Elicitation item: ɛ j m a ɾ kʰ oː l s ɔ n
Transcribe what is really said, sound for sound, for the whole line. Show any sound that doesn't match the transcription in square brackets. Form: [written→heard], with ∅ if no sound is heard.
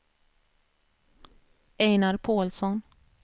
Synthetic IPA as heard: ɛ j [m→n] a ɾ [kʰ→pʰ] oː l s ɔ n